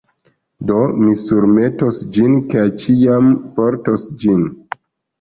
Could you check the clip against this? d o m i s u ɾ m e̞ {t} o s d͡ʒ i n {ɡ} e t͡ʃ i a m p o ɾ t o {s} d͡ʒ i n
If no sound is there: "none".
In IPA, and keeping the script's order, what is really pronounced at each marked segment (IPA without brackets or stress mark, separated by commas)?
t, k, s